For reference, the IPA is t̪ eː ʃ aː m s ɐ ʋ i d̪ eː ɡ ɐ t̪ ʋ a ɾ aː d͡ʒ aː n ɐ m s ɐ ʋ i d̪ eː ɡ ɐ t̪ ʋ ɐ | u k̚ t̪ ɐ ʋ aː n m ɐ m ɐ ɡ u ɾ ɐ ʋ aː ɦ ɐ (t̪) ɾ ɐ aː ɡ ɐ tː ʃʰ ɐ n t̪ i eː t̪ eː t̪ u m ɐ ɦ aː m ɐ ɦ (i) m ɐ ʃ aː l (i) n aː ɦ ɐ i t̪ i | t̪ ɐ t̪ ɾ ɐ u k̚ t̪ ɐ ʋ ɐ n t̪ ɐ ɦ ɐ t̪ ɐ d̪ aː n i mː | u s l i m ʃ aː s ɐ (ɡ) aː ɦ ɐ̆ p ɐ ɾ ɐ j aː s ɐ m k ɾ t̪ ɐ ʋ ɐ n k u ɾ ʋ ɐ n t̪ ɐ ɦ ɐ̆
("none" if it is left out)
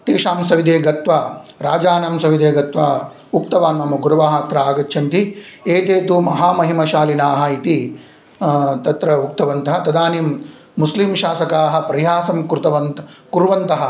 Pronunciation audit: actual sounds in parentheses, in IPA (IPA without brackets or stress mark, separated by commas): t̪, i, i, k